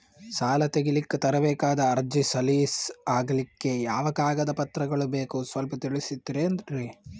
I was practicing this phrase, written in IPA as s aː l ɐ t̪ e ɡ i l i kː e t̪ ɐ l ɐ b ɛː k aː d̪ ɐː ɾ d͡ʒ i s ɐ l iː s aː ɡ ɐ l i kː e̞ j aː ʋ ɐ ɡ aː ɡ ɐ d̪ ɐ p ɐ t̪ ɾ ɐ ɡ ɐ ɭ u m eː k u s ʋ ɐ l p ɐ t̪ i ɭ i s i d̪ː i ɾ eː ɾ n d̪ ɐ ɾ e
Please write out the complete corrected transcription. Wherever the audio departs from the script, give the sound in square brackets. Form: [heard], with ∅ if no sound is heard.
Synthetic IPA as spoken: s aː l ɐ t̪ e ɡ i l i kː e t̪ ɐ [ɾ] ɐ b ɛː k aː d̪ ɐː ɾ d͡ʒ i s ɐ l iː s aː ɡ ɐ l i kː e̞ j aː ʋ ɐ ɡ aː ɡ ɐ d̪ ɐ p ɐ t̪ ɾ ɐ ɡ ɐ ɭ u [b] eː k u s ʋ ɐ l p ɐ t̪ i ɭ i s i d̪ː i ɾ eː [∅] n d̪ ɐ ɾ e